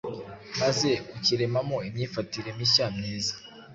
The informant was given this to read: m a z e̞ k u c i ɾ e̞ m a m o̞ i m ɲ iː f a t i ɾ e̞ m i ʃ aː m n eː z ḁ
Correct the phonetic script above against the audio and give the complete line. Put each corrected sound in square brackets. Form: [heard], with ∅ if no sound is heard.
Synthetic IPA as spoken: m a z e̞ k u c i ɾ e̞ m a m o̞ i m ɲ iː f a t i ɾ e̞ m i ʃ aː m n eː z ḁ